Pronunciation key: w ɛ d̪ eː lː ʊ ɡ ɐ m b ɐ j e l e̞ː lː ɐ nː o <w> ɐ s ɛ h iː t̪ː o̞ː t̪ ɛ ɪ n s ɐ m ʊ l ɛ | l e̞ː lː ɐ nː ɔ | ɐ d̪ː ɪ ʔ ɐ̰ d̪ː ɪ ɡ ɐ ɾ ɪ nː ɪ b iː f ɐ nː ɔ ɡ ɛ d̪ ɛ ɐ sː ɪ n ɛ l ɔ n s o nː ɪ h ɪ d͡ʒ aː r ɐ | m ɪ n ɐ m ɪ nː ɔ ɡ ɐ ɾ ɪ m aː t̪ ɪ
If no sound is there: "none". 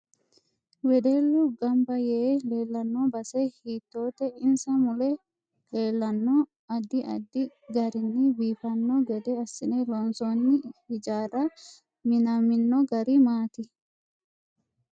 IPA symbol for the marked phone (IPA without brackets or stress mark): b